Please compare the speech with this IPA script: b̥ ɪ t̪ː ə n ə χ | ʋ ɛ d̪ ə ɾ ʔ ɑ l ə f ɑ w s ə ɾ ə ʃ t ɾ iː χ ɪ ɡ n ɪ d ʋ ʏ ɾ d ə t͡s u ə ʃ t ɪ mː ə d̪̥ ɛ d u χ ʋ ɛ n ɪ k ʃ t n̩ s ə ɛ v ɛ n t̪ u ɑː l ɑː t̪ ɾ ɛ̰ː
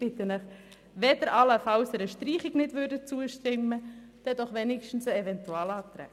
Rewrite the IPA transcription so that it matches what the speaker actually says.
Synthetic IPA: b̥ ɪ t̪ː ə n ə χ | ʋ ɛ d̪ ə ɾ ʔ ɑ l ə f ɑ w s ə ɾ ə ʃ t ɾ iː χ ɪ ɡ n ɪ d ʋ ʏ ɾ d ə t͡s u ə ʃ t ɪ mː ə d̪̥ ɛ d ɔ χ ʋ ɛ n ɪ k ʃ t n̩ s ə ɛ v ɛ n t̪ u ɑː l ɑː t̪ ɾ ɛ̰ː